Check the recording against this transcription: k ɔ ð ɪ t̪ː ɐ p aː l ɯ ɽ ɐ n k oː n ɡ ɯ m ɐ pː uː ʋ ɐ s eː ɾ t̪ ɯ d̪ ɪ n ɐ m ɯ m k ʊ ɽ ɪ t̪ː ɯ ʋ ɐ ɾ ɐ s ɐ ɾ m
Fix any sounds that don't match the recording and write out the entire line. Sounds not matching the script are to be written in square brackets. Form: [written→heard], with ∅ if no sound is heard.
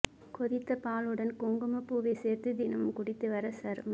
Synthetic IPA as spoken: k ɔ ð ɪ t̪ː ɐ p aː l ɯ ɽ ɐ n k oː [n→ŋ] ɡ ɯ m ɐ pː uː ʋ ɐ s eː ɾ t̪ ɯ d̪ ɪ n ɐ m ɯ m k ʊ ɽ ɪ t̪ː ɯ ʋ ɐ ɾ ɐ s ɐ ɾ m